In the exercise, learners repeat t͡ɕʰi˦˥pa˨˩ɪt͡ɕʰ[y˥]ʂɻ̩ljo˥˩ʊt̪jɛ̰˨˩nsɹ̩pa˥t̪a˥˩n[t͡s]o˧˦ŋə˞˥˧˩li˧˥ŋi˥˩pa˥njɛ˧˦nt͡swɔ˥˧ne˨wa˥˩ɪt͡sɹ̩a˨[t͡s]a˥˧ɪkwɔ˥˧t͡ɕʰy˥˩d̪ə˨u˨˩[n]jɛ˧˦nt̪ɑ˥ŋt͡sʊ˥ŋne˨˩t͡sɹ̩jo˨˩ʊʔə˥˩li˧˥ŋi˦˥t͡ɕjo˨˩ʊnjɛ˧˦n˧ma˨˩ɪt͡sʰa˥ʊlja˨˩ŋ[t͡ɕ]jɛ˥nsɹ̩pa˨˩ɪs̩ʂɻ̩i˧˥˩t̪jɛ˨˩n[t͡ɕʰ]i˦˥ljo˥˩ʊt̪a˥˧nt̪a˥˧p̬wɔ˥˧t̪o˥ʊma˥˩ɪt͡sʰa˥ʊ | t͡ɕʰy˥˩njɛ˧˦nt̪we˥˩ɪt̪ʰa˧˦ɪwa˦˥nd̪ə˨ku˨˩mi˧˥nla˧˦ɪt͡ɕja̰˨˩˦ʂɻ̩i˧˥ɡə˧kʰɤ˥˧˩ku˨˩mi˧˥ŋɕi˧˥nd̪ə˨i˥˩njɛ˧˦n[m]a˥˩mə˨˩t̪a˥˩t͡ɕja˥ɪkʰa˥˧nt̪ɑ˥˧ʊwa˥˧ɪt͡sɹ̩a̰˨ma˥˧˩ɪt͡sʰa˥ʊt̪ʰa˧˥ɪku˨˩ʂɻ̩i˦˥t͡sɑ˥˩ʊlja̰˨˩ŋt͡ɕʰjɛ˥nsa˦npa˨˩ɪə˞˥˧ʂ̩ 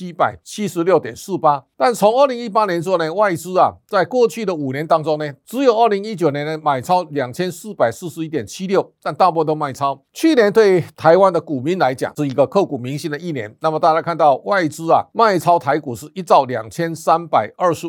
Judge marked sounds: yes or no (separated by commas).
no, no, yes, yes, no, yes, no